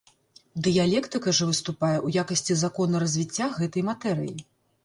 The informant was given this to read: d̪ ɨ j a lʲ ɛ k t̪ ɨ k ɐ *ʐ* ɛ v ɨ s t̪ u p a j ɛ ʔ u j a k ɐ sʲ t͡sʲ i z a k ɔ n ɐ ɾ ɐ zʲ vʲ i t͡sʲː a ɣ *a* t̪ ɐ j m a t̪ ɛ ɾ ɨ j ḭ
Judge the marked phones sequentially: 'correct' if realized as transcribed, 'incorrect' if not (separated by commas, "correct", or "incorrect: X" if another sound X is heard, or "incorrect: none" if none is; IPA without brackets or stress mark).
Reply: correct, incorrect: ɛ